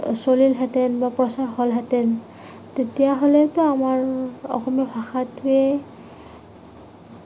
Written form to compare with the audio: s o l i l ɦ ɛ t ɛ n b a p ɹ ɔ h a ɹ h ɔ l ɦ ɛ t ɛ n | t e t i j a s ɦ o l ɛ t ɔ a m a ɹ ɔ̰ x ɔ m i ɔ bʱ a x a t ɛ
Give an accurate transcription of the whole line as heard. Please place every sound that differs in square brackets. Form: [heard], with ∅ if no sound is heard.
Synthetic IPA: s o l i l ɦ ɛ t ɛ n b a p ɹ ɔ [s] a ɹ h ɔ l ɦ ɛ t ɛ n | t e t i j a [∅] ɦ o l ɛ t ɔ a m a ɹ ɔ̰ x ɔ m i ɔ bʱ a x a t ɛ